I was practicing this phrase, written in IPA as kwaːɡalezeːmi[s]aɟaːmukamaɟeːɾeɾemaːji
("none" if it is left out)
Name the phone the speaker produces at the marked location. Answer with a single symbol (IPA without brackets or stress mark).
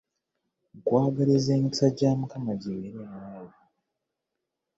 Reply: s